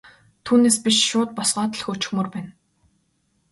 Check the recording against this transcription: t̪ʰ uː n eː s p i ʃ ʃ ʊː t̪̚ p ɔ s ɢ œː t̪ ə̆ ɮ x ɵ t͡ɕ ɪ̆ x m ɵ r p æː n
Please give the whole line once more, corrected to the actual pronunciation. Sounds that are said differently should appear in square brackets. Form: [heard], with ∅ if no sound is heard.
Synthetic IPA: t̪ʰ uː n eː s p i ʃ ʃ ʊː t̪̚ p ɔ s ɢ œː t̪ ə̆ ɮ x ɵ t͡ɕ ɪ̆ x m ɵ r p æː n